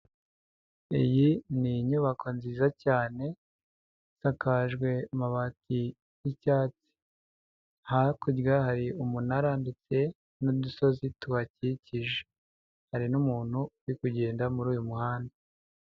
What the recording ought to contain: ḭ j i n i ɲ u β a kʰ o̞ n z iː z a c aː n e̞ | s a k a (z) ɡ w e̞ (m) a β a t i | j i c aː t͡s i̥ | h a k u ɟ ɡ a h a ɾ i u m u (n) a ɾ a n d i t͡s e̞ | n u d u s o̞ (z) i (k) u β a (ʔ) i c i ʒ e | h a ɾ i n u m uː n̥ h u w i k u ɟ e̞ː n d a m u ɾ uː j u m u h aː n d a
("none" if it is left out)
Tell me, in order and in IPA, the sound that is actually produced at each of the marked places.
ʒ, m, n, z, t, c

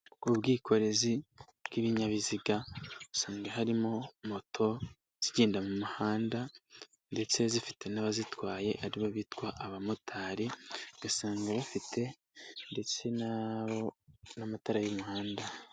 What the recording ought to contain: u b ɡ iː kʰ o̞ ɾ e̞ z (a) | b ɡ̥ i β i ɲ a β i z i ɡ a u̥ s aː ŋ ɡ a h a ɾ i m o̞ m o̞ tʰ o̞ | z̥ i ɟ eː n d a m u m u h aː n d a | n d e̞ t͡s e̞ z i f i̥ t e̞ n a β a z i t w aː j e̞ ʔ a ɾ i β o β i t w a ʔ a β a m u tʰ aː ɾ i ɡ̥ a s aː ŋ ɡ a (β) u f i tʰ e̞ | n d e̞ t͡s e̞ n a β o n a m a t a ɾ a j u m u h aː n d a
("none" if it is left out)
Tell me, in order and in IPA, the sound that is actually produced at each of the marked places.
i, β

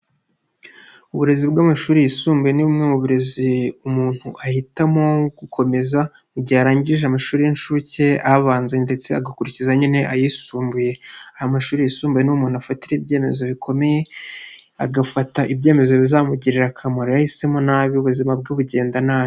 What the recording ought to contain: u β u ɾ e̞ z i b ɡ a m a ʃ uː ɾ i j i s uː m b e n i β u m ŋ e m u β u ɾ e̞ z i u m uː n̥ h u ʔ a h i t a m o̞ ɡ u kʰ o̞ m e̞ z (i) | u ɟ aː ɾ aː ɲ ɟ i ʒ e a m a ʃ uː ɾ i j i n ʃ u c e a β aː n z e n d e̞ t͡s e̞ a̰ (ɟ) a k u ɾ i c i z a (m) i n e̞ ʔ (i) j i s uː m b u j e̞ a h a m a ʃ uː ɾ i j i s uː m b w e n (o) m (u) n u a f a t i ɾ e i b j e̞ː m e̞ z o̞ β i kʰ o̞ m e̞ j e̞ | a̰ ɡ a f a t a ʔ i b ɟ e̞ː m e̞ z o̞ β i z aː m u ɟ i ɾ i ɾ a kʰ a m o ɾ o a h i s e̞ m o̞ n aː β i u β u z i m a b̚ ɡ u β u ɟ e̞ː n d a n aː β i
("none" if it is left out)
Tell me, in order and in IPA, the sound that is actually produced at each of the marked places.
a, ɡ, ɲ, a, u, uː

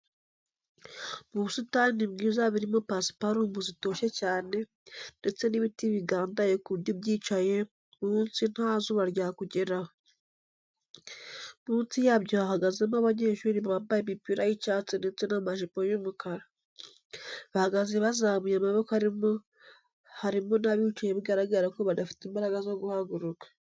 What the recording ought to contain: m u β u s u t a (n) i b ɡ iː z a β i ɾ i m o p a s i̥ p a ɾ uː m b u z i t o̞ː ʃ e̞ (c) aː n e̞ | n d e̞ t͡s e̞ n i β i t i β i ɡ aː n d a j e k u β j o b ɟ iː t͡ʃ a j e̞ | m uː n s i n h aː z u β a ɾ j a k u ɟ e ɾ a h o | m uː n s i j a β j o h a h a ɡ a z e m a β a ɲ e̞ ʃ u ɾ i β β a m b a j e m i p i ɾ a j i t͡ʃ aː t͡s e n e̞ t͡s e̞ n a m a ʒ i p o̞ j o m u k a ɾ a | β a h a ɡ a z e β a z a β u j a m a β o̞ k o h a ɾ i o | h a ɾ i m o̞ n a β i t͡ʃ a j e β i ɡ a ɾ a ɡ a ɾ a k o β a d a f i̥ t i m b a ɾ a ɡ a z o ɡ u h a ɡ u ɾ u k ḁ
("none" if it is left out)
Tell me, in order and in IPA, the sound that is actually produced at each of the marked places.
n, c

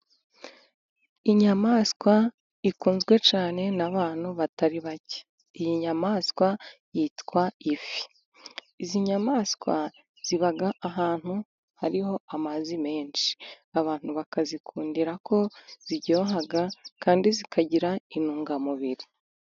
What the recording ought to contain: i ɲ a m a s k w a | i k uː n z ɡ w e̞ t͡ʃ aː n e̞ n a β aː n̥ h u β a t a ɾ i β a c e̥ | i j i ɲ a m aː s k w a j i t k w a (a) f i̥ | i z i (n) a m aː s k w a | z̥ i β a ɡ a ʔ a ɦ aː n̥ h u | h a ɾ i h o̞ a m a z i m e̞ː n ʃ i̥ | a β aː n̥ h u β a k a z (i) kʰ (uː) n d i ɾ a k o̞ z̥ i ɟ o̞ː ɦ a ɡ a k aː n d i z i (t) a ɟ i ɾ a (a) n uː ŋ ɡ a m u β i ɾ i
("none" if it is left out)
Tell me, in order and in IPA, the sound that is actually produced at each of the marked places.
i, ɲ, i, uː, k, i

